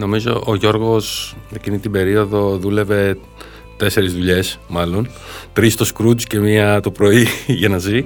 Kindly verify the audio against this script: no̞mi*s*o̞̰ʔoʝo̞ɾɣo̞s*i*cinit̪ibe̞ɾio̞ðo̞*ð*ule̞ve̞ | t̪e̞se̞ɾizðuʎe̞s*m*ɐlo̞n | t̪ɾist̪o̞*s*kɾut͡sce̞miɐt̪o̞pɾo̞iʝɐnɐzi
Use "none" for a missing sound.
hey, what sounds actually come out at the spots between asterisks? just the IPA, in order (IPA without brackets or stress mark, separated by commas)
z, e, ð, m, s